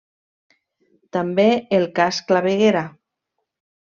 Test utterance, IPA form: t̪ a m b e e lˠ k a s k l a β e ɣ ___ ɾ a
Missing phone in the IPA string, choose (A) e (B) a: A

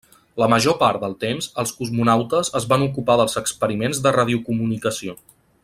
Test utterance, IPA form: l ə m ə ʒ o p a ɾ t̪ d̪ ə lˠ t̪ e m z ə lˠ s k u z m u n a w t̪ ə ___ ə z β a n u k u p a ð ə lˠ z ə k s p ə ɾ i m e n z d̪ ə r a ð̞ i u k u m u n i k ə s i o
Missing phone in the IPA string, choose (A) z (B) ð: A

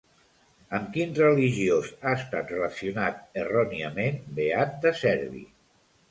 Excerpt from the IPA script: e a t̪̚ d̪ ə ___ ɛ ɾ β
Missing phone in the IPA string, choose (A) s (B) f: A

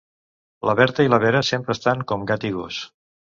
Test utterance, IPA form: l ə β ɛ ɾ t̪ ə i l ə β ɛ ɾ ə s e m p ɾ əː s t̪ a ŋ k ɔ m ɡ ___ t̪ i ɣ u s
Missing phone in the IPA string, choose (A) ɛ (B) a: B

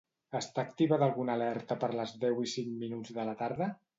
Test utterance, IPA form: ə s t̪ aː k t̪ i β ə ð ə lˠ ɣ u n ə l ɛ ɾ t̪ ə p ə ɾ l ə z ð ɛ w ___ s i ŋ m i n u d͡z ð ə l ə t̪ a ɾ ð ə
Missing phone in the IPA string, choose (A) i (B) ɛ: A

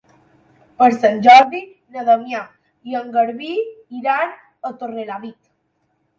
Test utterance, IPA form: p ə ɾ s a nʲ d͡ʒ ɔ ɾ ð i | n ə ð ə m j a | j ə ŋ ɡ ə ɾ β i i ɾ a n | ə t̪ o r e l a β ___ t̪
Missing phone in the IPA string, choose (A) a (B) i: B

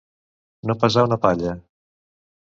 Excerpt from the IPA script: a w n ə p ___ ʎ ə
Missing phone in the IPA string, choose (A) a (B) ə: A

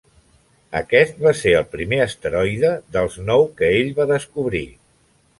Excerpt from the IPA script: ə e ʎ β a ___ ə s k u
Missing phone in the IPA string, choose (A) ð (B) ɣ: A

